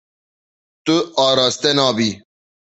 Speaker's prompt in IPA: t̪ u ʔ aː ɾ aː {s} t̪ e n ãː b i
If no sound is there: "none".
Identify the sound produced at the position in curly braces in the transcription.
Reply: s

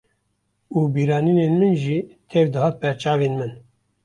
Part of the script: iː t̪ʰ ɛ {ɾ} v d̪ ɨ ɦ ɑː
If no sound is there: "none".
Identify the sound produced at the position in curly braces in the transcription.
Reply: none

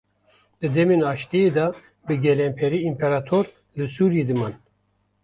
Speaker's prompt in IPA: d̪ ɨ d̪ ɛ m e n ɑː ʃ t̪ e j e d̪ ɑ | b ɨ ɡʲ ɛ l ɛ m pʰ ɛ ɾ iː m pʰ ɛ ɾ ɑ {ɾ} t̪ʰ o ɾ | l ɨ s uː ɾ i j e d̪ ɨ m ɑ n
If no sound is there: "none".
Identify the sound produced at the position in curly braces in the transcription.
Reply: none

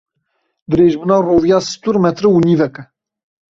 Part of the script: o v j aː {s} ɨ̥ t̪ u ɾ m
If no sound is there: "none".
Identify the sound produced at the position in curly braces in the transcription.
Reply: s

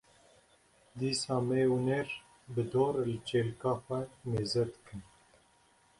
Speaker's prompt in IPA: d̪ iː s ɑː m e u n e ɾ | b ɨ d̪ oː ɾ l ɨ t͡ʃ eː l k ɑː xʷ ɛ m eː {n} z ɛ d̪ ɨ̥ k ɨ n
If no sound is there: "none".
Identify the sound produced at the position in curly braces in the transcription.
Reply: none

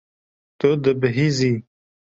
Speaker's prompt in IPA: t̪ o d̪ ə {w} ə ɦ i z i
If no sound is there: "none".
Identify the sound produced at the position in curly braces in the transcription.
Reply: b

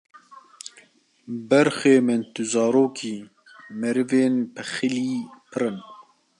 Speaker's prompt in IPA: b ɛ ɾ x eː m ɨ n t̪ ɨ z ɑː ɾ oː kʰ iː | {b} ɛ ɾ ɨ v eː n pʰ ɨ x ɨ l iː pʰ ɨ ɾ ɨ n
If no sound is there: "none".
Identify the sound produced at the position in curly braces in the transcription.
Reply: m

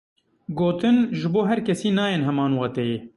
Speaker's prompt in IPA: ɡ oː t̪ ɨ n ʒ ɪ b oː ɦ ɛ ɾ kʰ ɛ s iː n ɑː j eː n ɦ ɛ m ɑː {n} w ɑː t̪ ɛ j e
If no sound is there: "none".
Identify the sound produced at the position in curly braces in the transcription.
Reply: n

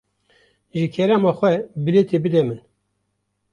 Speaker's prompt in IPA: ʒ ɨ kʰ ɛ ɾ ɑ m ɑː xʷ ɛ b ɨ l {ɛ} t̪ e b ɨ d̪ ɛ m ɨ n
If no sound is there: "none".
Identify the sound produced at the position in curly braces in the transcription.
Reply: e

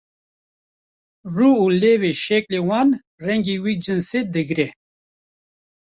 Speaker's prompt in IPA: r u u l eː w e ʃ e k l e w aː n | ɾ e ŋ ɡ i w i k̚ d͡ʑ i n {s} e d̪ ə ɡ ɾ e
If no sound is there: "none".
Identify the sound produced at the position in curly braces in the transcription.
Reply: s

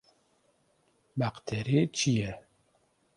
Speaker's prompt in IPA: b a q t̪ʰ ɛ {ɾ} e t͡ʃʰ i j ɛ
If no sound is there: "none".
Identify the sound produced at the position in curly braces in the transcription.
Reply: ɾ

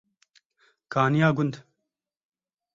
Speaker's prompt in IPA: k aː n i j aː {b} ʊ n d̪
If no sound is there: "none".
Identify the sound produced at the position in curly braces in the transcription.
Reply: ɡ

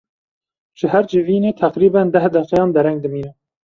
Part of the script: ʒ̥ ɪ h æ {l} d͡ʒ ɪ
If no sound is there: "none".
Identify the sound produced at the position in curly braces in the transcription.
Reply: ɾ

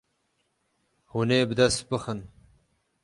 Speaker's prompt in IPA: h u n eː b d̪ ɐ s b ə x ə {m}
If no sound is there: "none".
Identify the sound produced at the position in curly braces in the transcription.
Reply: n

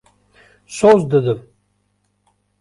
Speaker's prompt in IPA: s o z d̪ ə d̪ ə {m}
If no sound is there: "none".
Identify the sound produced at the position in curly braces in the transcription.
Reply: m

